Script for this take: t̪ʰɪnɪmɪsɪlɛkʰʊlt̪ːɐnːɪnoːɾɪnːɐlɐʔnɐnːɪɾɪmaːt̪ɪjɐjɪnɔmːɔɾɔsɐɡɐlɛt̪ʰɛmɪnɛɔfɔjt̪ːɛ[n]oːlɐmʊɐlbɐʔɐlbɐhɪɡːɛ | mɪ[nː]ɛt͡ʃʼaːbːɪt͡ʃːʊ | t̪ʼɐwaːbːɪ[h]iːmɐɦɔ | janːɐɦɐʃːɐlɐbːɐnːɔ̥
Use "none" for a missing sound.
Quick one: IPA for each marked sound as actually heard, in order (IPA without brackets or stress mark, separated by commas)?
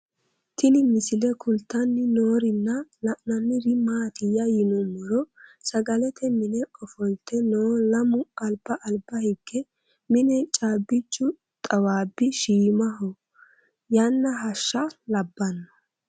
n, n, ʃ